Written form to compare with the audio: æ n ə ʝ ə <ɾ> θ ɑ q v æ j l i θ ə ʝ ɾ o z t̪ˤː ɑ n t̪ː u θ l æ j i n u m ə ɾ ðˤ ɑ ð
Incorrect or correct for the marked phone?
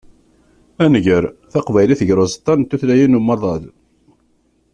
correct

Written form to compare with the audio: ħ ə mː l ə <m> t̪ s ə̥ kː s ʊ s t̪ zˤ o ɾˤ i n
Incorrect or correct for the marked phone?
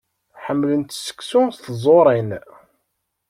incorrect: n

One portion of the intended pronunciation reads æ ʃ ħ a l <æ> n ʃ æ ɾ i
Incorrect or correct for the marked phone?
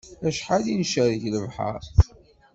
incorrect: i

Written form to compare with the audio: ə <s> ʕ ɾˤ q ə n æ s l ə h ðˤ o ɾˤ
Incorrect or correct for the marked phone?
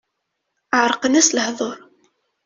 incorrect: none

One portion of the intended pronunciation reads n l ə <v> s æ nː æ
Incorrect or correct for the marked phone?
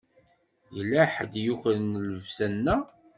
correct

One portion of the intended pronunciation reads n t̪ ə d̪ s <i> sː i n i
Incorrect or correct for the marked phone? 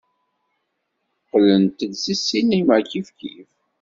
correct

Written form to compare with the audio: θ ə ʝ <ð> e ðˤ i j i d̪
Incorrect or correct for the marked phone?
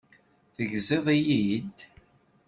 incorrect: z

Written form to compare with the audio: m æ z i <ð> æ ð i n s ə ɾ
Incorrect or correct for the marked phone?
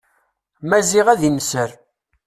incorrect: ʁ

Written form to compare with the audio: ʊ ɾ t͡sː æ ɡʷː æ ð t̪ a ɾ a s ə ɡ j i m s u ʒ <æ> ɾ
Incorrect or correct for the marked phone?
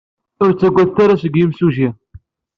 incorrect: i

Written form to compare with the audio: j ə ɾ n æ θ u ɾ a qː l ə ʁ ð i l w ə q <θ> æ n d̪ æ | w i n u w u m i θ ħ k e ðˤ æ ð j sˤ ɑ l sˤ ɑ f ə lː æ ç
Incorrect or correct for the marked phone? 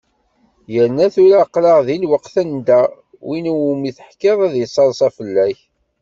correct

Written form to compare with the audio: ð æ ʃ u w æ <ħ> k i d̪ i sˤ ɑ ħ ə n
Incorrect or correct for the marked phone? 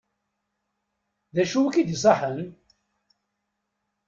incorrect: none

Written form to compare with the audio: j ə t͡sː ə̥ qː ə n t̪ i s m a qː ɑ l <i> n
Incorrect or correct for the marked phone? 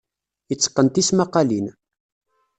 correct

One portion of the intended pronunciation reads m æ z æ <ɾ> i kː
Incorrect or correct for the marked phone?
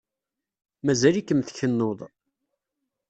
incorrect: l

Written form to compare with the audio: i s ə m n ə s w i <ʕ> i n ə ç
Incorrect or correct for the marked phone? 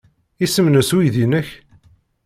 incorrect: ð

